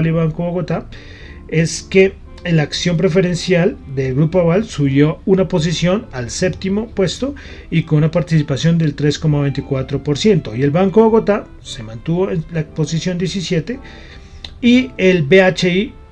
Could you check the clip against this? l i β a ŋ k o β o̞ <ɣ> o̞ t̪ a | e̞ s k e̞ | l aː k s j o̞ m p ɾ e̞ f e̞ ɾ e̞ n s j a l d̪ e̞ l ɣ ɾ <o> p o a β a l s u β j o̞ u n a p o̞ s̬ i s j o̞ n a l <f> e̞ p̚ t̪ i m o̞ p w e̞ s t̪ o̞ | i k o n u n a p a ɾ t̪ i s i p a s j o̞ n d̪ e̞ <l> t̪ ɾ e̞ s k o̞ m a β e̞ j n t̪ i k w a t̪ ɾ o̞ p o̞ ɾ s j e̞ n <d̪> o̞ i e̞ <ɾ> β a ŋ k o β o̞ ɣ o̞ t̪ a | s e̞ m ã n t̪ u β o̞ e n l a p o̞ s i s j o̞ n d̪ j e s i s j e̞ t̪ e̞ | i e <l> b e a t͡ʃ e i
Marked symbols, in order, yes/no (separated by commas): yes, no, no, yes, no, no, yes